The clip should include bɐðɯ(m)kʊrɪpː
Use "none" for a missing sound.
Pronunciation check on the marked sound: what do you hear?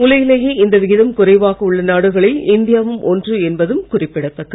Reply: m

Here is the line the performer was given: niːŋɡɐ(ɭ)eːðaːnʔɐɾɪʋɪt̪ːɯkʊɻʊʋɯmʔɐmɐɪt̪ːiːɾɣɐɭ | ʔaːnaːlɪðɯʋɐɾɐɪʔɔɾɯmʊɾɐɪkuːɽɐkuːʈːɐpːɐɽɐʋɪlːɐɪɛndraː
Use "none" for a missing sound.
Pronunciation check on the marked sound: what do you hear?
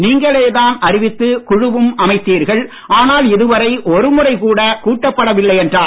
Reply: ɭ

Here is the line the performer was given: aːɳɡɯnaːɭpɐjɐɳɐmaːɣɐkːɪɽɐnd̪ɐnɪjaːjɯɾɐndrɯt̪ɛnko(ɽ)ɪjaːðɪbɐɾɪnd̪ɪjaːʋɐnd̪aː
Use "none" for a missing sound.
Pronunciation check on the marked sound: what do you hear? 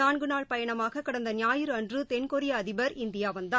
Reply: ɾ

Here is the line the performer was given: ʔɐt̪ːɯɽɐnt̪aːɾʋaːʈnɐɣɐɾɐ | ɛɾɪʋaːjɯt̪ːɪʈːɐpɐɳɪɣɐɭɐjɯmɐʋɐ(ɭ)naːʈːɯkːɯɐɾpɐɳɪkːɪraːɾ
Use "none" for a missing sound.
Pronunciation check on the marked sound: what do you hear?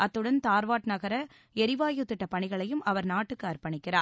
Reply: ɾ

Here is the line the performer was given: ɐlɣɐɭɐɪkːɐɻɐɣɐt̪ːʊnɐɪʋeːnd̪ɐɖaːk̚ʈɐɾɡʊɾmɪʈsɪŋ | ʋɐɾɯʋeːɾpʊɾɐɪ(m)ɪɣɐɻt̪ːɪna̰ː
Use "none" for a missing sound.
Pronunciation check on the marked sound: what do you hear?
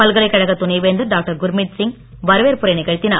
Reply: n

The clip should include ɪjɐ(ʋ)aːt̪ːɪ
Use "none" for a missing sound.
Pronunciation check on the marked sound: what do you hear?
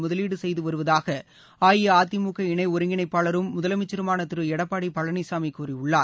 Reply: none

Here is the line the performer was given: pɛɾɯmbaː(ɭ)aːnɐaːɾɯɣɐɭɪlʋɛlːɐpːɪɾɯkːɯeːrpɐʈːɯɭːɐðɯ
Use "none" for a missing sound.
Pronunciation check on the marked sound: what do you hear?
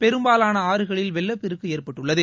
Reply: l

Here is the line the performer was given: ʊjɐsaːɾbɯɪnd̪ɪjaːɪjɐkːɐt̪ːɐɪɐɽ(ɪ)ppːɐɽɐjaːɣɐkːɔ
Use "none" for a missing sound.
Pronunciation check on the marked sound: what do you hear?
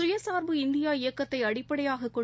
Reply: ɪ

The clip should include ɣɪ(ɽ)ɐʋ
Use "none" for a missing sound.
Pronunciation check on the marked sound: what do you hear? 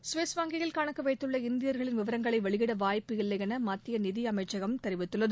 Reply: ɽ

